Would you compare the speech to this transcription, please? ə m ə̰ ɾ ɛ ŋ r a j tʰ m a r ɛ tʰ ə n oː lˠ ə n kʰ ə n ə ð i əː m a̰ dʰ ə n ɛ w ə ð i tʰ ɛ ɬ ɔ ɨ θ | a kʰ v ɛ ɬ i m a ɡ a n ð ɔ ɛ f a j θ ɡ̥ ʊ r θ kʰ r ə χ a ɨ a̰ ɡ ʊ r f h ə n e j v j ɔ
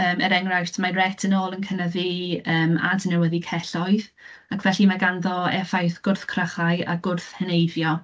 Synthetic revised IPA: əː m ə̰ ɾ ɛ ŋ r a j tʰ m a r ɛ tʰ ə n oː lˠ ə n kʰ ə n ə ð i əː m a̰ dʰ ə n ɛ w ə ð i kʰ ɛ ɬ ɔ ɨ ð | a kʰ v ɛ ɬ i m a ɡ a n ð ɔ ɛ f a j θ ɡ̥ ʊ r θ kʰ r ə χ a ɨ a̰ ɡ ʊ r θ h ə n e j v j ɔ